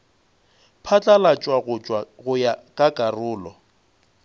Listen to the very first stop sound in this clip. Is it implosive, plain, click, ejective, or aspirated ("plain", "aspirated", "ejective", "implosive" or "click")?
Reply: aspirated